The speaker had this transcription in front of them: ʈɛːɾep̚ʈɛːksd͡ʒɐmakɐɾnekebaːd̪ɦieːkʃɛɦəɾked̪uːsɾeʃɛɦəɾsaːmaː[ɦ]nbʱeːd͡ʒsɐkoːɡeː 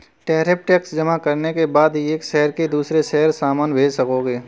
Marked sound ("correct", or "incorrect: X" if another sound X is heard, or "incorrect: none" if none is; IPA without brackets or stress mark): incorrect: none